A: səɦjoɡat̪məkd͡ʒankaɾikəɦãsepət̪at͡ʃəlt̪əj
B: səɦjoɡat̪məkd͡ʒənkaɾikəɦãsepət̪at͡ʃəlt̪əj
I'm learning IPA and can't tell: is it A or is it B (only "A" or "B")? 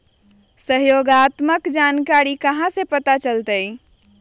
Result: A